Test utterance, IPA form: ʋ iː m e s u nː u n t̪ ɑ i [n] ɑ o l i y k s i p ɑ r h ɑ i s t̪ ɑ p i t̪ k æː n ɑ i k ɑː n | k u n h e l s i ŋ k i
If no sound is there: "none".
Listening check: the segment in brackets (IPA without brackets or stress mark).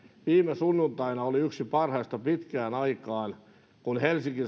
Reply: n